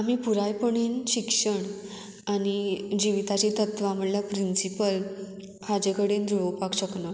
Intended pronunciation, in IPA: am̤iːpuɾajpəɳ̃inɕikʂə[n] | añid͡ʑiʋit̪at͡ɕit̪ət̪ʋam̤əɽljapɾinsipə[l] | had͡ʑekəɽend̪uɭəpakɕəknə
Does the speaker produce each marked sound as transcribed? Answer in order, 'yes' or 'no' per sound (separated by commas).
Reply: no, yes